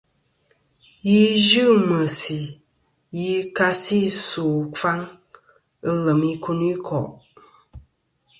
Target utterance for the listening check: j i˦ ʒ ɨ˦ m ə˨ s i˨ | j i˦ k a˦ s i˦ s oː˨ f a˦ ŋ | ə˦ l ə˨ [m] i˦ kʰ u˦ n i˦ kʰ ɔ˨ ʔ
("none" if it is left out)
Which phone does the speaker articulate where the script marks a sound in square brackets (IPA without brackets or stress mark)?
m